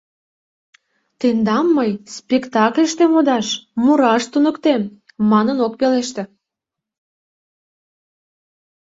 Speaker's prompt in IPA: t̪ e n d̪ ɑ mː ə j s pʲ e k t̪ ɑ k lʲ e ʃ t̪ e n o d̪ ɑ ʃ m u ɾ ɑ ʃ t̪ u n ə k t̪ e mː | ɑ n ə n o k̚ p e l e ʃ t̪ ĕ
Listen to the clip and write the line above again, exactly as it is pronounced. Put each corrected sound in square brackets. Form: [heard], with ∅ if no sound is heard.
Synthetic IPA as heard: t̪ e n d̪ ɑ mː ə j s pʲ e k t̪ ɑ k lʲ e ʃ t̪ e [m] o d̪ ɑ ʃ m u ɾ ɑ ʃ t̪ u n ə k t̪ e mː | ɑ n ə n o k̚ p e l e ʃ t̪ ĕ